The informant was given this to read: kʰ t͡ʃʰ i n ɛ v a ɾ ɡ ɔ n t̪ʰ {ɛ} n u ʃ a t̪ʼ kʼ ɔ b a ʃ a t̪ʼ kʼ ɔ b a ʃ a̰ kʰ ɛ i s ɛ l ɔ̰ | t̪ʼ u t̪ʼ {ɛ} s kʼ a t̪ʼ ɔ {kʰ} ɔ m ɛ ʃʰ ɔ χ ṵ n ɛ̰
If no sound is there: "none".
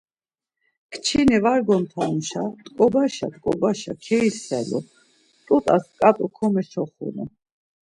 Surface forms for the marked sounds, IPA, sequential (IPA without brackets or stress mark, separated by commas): a, a, kʰ